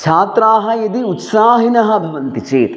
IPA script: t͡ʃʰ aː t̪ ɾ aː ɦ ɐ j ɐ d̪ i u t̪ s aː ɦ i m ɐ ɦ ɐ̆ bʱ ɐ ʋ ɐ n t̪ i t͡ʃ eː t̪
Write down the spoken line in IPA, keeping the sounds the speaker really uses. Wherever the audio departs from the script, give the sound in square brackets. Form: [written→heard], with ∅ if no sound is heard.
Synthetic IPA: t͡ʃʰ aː t̪ ɾ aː ɦ ɐ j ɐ d̪ i u t̪ s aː ɦ i [m→n] ɐ ɦ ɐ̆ bʱ ɐ ʋ ɐ n t̪ i t͡ʃ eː t̪